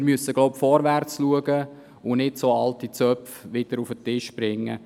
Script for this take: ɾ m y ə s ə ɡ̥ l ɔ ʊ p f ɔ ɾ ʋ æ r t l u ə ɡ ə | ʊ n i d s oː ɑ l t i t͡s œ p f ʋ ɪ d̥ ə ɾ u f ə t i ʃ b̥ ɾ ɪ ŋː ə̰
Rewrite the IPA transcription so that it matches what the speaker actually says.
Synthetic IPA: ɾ m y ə s ə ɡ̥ l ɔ ʊ p f ɔ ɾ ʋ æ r t͡s l u ə ɡ ə | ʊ n ɪ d s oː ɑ l t i t͡s œ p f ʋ ɪ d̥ ə ɾ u f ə t ɪ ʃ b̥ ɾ ɪ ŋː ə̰